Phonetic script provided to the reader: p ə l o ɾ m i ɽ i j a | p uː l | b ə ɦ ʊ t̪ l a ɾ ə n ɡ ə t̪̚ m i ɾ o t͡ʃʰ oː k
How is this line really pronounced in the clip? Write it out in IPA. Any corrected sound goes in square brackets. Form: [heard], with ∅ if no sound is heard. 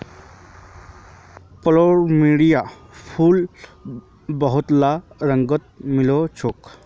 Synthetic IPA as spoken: p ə l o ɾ m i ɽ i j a | [pʰ] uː l | b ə ɦ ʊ t̪ l a ɾ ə [ŋ] ɡ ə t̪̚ m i [l] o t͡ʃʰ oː k